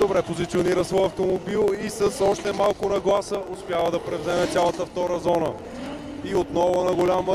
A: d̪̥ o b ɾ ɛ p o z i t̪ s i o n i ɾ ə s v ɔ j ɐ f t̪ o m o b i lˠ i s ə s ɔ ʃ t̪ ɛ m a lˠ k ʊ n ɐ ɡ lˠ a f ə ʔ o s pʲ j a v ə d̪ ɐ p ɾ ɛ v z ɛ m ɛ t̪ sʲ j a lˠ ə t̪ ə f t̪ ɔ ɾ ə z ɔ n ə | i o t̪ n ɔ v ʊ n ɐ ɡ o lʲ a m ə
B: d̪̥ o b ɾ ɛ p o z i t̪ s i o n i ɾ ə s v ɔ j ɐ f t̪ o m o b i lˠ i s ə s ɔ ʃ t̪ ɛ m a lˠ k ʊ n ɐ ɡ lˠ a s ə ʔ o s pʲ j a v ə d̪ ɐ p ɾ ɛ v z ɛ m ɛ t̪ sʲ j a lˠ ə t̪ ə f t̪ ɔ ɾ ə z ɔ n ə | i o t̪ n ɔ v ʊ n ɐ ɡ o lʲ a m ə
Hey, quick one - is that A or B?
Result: B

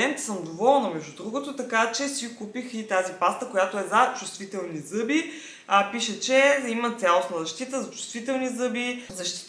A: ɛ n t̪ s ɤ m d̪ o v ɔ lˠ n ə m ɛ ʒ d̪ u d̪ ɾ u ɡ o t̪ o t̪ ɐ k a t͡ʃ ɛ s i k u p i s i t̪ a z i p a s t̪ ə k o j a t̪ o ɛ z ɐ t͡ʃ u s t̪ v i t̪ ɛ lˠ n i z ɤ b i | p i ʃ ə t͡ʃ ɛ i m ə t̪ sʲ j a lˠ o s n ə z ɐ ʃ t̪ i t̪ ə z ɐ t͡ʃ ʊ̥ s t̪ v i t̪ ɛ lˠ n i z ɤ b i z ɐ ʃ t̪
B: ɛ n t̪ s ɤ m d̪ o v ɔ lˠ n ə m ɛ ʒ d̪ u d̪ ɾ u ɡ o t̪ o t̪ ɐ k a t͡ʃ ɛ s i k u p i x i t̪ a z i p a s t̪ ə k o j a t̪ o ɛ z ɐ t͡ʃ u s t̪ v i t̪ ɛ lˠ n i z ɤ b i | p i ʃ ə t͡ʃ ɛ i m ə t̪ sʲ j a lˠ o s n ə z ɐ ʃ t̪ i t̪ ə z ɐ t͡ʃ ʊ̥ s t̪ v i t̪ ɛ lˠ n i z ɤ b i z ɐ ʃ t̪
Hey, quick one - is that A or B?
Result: B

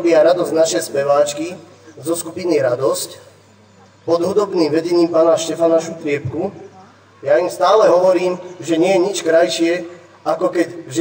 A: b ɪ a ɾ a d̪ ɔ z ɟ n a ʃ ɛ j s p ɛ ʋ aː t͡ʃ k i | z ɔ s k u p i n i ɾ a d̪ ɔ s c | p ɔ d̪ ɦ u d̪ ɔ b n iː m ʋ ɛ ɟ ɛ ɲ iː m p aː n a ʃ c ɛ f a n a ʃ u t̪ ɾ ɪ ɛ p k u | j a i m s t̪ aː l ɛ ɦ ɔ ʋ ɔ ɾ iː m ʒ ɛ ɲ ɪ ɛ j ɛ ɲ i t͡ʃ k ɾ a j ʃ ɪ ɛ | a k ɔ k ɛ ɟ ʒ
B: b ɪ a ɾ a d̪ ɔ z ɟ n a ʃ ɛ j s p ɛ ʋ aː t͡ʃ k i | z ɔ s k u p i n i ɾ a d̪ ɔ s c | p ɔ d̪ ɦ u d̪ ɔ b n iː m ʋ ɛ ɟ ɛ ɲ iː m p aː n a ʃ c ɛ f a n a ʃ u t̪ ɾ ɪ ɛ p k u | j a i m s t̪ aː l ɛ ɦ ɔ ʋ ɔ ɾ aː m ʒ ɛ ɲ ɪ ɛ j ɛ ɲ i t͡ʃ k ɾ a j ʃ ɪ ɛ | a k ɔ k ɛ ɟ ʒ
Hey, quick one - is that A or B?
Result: A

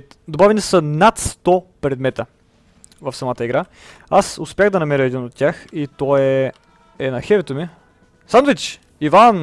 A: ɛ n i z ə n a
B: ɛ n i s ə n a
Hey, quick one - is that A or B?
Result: B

